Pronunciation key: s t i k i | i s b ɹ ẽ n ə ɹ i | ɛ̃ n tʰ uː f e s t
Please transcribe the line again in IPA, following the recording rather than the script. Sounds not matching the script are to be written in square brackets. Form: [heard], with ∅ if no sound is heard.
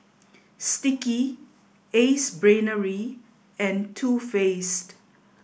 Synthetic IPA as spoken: s t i k i | [e] s b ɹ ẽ n ə ɹ i | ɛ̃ n tʰ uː f e s t